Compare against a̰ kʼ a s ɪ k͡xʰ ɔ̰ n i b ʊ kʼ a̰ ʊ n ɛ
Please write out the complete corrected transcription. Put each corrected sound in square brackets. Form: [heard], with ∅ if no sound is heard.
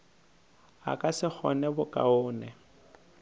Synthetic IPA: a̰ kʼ a s ɪ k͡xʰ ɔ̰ n [ɛ] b ʊ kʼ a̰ [ʊː] n ɛ